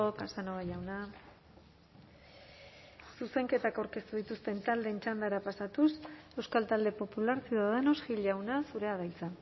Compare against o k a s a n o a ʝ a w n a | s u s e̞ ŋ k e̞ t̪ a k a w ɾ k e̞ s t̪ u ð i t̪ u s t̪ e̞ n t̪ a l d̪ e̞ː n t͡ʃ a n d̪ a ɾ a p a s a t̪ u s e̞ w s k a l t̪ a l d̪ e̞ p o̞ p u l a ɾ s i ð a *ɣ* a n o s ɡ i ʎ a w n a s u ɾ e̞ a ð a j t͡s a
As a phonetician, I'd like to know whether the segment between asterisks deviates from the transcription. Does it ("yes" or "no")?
yes